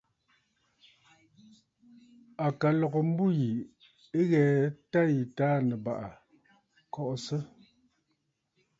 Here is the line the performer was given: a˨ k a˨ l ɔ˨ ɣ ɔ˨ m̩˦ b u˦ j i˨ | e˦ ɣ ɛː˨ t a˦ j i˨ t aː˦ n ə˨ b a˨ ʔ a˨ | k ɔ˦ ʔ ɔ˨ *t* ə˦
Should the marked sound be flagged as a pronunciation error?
yes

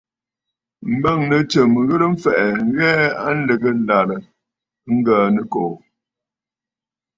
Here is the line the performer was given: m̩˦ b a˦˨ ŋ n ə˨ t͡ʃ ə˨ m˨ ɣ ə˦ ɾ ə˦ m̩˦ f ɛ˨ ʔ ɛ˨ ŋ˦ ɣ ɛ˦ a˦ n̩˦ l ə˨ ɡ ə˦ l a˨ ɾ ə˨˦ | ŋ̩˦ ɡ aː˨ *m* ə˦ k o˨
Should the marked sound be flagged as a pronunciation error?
yes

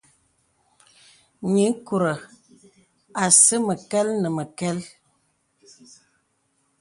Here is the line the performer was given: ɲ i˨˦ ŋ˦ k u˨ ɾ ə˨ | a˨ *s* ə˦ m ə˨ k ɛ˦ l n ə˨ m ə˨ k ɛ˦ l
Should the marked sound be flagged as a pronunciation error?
no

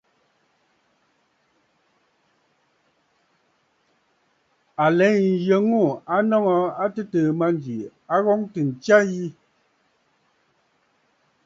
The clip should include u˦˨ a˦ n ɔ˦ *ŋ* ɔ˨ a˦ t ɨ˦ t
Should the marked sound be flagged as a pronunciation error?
no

